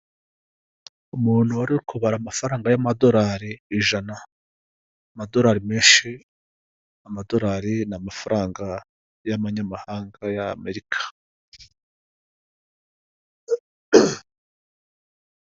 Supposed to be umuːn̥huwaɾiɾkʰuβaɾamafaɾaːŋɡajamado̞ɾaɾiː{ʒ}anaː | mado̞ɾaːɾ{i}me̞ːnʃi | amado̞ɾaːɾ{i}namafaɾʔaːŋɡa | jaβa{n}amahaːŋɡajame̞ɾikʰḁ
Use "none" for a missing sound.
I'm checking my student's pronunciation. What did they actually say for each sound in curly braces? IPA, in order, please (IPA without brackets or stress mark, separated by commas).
ʒ, i, i, ɲ